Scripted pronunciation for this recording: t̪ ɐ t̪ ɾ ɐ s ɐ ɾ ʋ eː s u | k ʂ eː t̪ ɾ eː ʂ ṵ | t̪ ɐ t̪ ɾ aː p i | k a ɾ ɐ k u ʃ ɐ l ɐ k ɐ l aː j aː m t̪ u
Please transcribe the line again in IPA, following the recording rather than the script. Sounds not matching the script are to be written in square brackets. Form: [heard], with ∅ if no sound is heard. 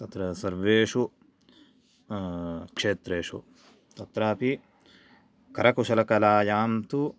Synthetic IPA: t̪ ɐ t̪ ɾ ɐ s ɐ ɾ ʋ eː [ʂ] u | k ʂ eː t̪ ɾ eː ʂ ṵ | t̪ ɐ t̪ ɾ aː p i | k [ɐ] ɾ ɐ k u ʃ ɐ l ɐ k ɐ l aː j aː m t̪ u